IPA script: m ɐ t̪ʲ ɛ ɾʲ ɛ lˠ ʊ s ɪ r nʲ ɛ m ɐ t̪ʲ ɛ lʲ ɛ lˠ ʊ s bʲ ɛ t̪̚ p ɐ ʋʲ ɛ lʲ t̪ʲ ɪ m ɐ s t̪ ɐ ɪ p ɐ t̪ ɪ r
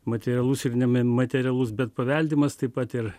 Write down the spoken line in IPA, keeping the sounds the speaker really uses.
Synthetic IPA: m ɐ t̪ʲ ɛ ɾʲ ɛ lˠ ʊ s ɪ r nʲ ɛ m ɐ t̪ʲ ɛ ɾʲ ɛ lˠ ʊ s bʲ ɛ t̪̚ p ɐ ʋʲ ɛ lʲ d̪ʲ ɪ m ɐ s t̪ ɐ ɪ p ɐ t̪ ɪ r